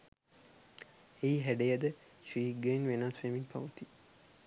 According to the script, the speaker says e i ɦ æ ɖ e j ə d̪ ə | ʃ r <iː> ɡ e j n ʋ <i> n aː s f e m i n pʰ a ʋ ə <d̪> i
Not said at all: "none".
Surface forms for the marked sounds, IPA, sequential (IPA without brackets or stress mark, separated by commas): iː, e, t̪